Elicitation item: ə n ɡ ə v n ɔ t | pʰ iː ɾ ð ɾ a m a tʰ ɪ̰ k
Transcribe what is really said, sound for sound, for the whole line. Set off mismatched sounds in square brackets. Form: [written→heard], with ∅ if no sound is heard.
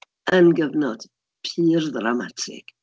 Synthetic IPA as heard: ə n ɡ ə v n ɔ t | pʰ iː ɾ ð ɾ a m a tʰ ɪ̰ k